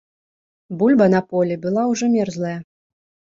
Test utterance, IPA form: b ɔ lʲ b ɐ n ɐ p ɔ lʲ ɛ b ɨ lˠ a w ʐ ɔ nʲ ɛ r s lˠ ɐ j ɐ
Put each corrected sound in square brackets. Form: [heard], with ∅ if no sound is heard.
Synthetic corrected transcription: b [u] lʲ b ɐ n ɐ p ɔ lʲ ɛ b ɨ lˠ a w ʐ ɔ [mʲ] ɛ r [z] lˠ ɐ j ɐ

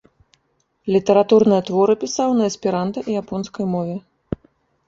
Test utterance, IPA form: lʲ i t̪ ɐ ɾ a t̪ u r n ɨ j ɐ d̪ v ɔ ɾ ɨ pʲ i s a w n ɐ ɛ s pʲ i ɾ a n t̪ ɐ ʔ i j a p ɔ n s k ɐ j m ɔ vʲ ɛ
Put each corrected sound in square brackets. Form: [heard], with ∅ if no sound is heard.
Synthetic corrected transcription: lʲ i t̪ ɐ ɾ a t̪ u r n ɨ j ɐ [t̪] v ɔ ɾ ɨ pʲ i s a w n ɐ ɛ s pʲ i ɾ a n t̪ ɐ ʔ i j a p ɔ n s k ɐ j m ɔ vʲ ɛ

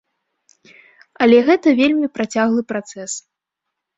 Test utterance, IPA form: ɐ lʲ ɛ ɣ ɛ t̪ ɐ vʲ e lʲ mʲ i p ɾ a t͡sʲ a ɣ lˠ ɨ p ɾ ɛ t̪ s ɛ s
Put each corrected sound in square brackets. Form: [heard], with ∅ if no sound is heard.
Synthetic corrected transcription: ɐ lʲ ɛ ɣ ɛ t̪ ɐ vʲ e lʲ mʲ i p ɾ a t͡sʲ a ɣ lˠ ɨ p ɾ [a] t̪ s ɛ s

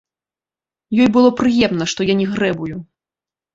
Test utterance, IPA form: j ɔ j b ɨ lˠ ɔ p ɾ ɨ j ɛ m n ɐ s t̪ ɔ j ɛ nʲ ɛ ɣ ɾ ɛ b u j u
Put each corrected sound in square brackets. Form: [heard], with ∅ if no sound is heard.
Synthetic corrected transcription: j ɔ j b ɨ lˠ ɔ p ɾ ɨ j ɛ m n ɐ [ʂ] t̪ ɔ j [a] nʲ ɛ ɣ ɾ ɛ b u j u

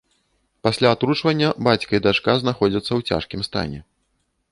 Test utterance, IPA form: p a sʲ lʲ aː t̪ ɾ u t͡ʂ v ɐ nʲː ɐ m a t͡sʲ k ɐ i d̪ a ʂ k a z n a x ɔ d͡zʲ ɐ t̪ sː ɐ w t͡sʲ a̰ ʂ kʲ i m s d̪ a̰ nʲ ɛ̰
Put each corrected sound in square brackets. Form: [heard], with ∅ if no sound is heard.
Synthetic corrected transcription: p a sʲ lʲ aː t̪ ɾ u t͡ʂ v ɐ nʲː ɐ [b] a t͡sʲ k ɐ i d̪ a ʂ k a z n a x ɔ d͡zʲ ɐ t̪ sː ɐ w t͡sʲ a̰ ʂ kʲ i m s [t̪] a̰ nʲ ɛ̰

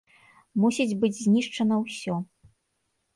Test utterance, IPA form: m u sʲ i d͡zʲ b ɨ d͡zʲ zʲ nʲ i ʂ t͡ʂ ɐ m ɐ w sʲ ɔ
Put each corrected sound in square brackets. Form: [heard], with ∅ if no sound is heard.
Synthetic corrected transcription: m u sʲ i d͡zʲ b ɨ d͡zʲ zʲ nʲ i ʂ t͡ʂ ɐ [n] ɐ w sʲ ɔ

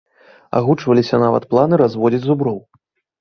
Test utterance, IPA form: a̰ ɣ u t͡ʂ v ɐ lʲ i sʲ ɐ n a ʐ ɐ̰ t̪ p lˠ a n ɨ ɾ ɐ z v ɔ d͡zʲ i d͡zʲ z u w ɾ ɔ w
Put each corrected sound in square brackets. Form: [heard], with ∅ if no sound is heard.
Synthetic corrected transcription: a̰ ɣ u t͡ʂ v ɐ lʲ i sʲ ɐ n a [v] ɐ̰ t̪ p lˠ a n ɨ ɾ [a] z v ɔ d͡zʲ i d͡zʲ z u [b] ɾ ɔ w

